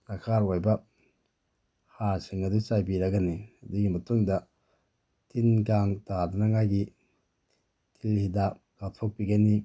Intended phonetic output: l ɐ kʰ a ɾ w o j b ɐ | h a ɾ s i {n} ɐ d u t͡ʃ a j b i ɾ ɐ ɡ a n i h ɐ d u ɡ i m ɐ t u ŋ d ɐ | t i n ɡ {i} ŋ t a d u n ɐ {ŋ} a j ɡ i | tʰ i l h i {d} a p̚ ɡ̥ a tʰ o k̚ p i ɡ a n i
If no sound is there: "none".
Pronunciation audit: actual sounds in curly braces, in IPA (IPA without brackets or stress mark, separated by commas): ŋ, a, ŋ, d